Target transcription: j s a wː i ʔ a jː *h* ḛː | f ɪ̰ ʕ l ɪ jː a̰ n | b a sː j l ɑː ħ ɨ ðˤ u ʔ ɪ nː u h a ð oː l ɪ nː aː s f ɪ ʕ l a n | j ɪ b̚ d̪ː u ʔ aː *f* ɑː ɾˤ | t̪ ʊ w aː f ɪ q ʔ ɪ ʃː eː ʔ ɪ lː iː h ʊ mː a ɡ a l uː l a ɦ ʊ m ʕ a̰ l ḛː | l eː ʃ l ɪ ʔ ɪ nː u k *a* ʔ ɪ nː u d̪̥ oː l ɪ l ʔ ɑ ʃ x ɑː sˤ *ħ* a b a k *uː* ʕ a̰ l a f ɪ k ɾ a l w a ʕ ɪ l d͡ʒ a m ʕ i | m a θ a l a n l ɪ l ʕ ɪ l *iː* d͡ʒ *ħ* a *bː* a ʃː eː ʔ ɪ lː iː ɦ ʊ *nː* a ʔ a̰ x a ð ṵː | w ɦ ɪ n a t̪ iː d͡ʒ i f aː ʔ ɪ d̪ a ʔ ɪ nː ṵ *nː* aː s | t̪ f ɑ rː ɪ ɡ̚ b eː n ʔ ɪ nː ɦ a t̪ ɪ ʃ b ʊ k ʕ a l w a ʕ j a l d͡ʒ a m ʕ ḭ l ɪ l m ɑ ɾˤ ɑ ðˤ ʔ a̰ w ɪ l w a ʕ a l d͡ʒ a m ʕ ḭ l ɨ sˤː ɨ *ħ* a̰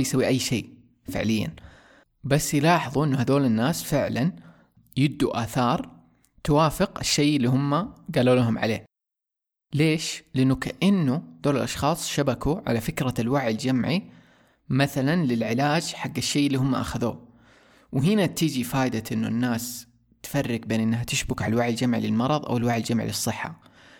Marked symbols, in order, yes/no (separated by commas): no, no, yes, no, no, no, yes, no, no, yes, no